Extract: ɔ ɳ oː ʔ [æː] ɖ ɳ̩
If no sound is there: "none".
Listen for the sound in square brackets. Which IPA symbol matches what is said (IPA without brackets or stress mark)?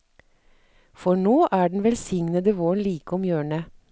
æː